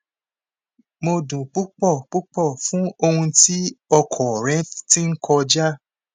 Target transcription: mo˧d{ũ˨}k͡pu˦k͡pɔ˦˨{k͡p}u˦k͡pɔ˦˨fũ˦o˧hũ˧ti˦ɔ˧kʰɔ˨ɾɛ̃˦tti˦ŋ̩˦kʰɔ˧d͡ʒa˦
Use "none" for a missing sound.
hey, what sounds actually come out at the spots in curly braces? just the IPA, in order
ũ˨, k͡p

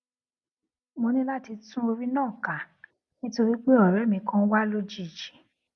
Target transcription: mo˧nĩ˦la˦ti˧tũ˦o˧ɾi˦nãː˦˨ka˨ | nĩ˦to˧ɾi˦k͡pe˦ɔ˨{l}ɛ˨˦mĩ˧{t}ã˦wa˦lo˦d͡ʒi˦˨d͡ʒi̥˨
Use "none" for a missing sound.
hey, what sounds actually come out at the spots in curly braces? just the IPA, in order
ɾ, k

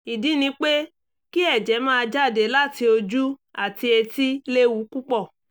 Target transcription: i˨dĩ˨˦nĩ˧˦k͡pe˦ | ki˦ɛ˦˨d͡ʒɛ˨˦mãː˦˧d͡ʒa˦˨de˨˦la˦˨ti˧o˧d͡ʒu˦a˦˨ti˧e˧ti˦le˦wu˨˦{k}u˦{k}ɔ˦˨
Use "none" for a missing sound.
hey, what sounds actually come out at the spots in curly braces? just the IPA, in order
k, k͡p

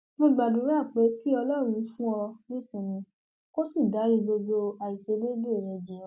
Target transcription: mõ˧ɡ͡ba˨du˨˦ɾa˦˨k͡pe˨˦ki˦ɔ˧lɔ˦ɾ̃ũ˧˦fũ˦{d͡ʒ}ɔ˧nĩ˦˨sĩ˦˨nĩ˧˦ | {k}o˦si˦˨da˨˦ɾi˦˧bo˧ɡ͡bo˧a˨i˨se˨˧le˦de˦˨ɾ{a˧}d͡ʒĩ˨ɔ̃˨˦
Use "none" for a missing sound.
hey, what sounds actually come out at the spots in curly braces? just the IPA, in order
none, k, ɛ˧

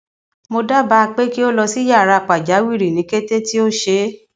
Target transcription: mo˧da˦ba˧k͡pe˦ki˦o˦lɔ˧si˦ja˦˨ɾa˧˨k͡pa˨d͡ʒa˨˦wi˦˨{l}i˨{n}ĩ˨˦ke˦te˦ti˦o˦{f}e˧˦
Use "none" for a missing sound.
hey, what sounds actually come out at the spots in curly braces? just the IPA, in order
ɾ, n, ʃ

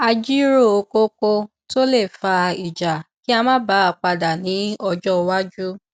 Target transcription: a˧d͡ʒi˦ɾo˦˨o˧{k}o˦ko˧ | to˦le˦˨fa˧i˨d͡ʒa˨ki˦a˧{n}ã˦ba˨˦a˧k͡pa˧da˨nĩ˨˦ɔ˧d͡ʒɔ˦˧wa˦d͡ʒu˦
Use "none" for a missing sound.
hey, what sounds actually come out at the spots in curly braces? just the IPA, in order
k, m

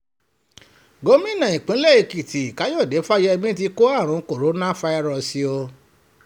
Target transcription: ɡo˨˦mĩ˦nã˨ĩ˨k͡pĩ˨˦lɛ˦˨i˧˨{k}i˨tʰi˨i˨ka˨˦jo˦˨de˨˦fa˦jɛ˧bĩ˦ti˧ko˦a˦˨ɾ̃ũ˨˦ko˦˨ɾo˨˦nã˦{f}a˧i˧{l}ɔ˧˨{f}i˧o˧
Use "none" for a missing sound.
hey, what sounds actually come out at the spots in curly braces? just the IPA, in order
k, f, ɾ, s

